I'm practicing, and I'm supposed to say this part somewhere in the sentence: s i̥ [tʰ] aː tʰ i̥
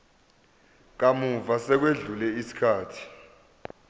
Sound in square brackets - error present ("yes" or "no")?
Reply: yes